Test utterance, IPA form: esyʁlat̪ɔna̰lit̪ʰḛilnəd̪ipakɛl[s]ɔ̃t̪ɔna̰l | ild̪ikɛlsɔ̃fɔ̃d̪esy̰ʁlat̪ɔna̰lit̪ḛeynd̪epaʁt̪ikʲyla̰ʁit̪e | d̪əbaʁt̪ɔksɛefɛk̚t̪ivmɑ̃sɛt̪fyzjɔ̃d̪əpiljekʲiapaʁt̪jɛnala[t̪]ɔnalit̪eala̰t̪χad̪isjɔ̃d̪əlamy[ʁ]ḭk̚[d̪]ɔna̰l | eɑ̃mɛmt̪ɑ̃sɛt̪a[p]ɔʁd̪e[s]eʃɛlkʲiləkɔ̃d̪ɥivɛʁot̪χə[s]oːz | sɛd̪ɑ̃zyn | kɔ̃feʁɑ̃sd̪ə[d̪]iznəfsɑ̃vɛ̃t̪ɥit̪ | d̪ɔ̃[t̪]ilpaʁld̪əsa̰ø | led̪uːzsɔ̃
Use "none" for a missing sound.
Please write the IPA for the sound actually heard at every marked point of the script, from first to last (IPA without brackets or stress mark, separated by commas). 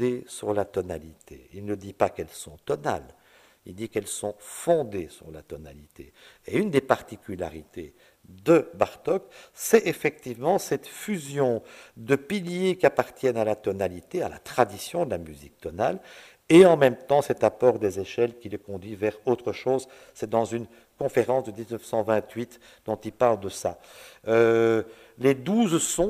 s, t̪, z, t̪, p, z, ʃ, d̪, t̪